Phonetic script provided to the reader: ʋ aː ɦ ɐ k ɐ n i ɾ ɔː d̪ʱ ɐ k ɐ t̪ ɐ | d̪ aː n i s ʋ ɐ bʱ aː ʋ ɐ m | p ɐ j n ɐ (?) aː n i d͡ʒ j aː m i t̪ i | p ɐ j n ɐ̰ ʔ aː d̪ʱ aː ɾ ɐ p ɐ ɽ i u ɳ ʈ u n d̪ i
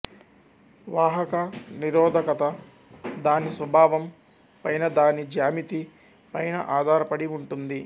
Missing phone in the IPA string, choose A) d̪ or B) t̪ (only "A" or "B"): A